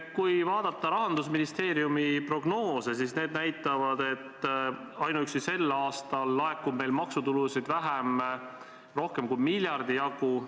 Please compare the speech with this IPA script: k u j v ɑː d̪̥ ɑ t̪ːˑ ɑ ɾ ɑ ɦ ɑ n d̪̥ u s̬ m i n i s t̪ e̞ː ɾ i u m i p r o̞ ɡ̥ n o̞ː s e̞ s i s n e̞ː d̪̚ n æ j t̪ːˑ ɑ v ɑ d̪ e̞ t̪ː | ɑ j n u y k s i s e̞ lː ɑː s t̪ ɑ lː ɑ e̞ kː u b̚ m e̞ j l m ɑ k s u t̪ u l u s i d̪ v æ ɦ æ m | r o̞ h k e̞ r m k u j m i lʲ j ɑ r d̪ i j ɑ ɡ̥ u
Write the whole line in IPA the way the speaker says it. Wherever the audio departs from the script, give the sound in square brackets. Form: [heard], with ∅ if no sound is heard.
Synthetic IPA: k u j v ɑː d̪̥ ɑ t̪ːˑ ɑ ɾ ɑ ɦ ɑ n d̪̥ u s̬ m i n i s t̪ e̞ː ɾ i u m i p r o̞ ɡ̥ n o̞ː s e̞ s i s n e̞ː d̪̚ n æ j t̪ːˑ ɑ v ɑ d̪ e̞ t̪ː | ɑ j n u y k s i s e̞ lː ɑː s t̪ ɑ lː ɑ e̞ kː u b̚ m e̞ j l m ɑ k s u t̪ u l u s i d̪ v æ ɦ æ m | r o̞ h k e̞ [∅] m k u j m i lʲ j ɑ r d̪ i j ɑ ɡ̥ u